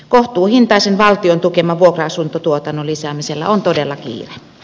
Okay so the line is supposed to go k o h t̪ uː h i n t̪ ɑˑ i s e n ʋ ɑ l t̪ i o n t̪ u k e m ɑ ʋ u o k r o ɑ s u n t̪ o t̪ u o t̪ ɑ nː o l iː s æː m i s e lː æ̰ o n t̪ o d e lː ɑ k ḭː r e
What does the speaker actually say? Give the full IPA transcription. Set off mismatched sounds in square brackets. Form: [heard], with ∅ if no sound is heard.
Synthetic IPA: k o h t̪ uː h i n t̪ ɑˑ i s e n ʋ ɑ l t̪ i o n t̪ u k e m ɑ ʋ u o k r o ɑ s u n t̪ o t̪ u o t̪ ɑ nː o l [i] s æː m i s e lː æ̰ o n t̪ o d e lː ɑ k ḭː r e